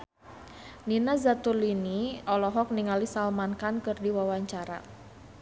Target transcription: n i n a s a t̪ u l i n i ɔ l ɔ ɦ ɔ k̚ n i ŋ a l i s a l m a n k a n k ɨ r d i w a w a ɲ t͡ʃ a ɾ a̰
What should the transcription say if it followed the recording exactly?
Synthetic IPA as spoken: n i n a z a t̪ u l i n i ɔ l ɔ ɦ ɔ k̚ n i ŋ a l i s a l m a n k a n k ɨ r d i w a w a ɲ t͡ʃ a ɾ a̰